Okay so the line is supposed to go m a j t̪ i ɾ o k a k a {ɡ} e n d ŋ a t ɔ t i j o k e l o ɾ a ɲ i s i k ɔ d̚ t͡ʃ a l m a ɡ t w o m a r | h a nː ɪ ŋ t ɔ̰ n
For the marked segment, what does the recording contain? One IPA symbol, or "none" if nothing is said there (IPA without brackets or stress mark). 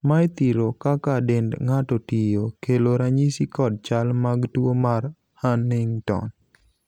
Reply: d